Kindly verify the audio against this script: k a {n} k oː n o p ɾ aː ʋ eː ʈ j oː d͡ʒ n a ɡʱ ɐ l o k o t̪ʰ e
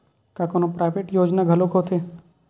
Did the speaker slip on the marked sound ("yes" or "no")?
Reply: yes